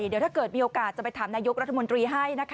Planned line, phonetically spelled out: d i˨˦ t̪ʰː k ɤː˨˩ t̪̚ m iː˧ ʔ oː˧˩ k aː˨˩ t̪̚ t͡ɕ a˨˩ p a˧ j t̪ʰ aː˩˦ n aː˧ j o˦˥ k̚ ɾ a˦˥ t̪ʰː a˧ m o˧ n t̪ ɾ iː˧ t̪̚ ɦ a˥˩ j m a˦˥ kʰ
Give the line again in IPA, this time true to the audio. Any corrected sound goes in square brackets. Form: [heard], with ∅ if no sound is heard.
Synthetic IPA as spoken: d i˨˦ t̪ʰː k ɤː˨˩ t̪̚ m iː˧ ʔ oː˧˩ k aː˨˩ t̪̚ t͡ɕ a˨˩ p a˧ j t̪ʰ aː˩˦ n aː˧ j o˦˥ k̚ ɾ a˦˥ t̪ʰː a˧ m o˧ n t̪ ɾ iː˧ [∅] ɦ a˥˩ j [n] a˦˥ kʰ